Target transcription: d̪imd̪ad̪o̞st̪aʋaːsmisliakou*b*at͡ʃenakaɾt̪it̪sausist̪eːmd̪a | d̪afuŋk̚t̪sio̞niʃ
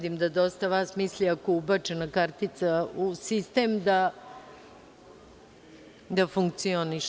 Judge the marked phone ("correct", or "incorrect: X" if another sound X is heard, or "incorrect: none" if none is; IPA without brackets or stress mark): correct